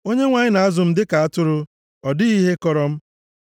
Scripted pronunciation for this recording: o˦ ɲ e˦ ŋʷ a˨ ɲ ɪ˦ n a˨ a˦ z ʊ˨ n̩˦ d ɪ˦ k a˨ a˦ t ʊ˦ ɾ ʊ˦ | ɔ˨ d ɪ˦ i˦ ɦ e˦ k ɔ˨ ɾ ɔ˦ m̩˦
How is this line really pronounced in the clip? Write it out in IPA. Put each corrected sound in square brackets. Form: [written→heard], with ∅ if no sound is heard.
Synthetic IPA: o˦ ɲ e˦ ŋʷ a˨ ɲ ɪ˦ n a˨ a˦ z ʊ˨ [n̩˦→m̩˦] d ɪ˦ k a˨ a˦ t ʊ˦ ɾ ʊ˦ | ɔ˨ d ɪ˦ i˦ ɦ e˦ k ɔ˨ ɾ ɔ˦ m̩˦